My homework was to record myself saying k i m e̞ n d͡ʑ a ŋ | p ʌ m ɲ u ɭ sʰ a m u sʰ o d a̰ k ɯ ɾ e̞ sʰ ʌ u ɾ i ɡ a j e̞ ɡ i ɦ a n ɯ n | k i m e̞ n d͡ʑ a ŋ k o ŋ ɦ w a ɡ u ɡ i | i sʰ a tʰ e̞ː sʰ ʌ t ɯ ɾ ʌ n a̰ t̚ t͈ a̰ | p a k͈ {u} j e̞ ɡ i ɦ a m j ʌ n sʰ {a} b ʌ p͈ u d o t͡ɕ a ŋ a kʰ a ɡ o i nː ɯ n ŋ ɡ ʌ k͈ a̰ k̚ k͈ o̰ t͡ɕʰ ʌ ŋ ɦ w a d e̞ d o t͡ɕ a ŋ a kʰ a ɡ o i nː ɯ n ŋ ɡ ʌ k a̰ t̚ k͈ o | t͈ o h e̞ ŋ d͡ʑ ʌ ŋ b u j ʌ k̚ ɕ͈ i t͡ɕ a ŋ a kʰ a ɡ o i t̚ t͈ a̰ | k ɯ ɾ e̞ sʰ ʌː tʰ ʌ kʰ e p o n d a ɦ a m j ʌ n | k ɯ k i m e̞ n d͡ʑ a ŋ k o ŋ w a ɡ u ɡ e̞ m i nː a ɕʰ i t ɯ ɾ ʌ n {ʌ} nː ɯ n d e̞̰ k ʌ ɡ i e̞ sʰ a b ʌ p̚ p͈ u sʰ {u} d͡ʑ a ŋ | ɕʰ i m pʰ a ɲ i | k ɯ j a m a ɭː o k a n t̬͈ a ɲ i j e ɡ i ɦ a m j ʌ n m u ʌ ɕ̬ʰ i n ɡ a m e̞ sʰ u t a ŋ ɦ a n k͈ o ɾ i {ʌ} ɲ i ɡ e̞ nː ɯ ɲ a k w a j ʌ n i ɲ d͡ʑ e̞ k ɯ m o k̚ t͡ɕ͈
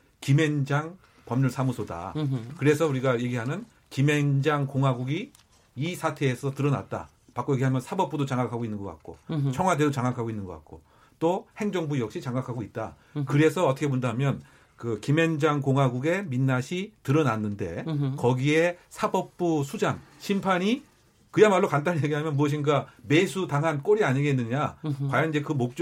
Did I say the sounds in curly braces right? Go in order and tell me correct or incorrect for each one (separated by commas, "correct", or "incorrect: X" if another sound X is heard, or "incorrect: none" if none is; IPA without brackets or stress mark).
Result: incorrect: o, correct, incorrect: a, correct, incorrect: a